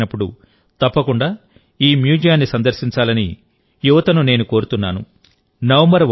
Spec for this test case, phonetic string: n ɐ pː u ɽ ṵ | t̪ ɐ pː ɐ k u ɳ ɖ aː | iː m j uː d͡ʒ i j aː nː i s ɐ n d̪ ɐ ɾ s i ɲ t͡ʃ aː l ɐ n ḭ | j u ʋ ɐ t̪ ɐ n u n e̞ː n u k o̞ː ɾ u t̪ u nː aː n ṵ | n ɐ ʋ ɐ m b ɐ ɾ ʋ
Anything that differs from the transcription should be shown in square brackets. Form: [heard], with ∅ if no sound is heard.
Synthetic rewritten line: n ɐ pː u ɽ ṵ | t̪ ɐ pː ɐ k u ɳ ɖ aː | iː m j uː d͡ʒ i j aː nː i s ɐ n d̪ ɐ ɾ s i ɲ t͡ʃ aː l ɐ n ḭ | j u ʋ ɐ t̪ ɐ n u n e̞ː n u k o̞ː ɾ u t̪ u nː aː n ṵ | n ɐ ʋ ɐ m b ɐ ɾ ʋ